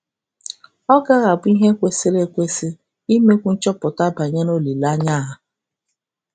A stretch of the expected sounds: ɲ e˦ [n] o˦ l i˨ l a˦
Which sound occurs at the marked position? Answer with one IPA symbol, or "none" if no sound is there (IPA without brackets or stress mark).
n